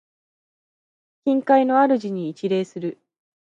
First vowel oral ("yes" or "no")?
no